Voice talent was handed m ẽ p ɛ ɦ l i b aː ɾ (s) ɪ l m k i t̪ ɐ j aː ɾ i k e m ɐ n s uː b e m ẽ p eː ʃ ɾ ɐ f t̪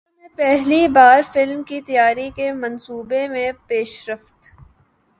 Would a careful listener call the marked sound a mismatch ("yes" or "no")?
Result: yes